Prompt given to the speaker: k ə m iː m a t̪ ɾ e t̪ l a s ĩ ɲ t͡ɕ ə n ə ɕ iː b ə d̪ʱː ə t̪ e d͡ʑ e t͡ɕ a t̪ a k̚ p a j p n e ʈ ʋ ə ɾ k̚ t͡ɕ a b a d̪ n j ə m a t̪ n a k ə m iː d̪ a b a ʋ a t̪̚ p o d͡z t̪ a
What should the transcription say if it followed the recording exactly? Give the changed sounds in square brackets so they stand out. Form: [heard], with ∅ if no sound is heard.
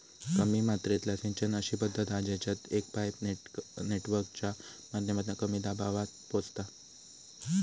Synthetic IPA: k ə m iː m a t̪ ɾ e t̪ l a s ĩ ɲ t͡ɕ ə n ə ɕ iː b ə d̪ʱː ə t̪ [a] d͡ʑ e t͡ɕ a t̪ [e] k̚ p a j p n e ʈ ʋ ə ɾ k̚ t͡ɕ a [m] a d̪ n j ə m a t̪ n a k ə m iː d̪ a b a ʋ a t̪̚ p o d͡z t̪ a